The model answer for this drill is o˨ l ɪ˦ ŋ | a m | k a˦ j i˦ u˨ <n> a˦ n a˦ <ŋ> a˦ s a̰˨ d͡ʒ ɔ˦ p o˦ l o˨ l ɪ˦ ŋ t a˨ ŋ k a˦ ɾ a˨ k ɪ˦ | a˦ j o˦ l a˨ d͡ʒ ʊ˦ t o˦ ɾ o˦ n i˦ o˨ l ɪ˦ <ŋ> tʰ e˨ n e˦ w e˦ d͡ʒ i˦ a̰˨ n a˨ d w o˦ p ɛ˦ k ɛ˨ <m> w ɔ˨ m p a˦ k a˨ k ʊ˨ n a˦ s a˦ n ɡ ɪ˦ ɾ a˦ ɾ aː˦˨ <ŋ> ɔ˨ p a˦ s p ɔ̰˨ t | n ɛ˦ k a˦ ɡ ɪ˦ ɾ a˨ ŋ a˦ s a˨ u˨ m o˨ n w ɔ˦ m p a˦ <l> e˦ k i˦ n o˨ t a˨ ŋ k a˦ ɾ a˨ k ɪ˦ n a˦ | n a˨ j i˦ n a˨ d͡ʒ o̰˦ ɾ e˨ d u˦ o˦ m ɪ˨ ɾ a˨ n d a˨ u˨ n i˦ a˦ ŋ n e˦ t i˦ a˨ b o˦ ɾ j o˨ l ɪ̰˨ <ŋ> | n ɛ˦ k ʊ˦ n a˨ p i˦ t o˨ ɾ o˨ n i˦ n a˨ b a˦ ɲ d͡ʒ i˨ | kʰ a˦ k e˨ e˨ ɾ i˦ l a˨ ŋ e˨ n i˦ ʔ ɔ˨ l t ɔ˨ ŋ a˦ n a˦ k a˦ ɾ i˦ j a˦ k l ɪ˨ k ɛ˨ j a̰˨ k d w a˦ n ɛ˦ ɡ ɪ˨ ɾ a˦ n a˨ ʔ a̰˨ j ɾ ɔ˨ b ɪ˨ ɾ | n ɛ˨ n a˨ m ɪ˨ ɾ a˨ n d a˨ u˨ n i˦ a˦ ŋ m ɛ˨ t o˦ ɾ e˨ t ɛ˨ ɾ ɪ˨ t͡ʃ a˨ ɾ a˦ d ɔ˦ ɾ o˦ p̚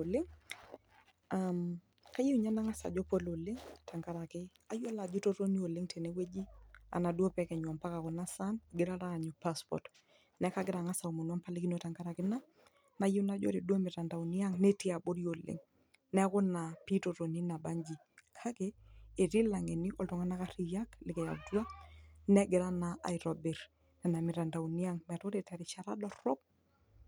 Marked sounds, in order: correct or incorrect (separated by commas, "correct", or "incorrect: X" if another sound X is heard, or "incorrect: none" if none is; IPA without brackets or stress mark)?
incorrect: ɲ, correct, correct, incorrect: ɲ, incorrect: ɲ, correct, correct